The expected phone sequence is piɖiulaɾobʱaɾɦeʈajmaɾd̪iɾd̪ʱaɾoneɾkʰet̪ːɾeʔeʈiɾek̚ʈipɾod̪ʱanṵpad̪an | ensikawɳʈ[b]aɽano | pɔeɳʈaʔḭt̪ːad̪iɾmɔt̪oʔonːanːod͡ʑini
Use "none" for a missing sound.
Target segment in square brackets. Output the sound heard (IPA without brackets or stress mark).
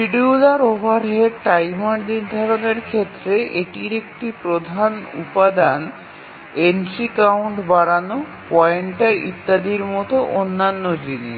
b